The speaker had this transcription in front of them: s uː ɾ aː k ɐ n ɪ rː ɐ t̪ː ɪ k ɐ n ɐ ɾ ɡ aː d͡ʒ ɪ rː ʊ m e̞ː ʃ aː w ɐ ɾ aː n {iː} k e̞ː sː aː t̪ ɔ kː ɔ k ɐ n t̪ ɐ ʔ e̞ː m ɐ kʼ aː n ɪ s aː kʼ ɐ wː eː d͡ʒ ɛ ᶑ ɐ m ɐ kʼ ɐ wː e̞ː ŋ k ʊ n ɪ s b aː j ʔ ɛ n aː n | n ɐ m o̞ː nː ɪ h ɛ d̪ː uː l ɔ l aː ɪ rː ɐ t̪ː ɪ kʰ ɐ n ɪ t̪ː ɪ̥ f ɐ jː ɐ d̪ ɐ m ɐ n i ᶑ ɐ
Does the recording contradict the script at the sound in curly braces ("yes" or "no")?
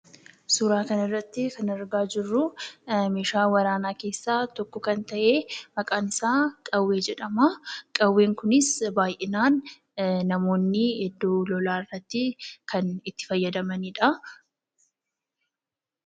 yes